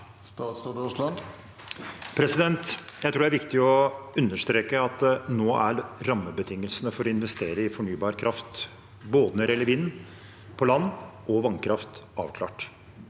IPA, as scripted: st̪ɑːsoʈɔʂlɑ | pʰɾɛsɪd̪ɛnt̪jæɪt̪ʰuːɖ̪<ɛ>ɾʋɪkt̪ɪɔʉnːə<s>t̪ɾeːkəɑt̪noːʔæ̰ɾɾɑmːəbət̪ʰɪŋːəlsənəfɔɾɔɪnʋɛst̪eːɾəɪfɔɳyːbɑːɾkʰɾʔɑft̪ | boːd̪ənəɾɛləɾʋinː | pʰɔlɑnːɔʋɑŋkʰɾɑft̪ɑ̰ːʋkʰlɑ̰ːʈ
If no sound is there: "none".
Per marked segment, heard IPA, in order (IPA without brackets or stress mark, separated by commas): æ, ʂ